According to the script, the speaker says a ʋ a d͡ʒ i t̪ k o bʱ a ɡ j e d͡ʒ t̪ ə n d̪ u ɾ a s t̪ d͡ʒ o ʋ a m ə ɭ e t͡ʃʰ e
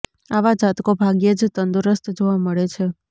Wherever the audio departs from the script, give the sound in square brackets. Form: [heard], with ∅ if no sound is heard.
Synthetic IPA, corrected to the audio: a ʋ a d͡ʒ [a] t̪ k o bʱ a ɡ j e d͡ʒ t̪ ə n d̪ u ɾ [ə] s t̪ d͡ʒ o ʋ a m ə ɭ e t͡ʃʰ e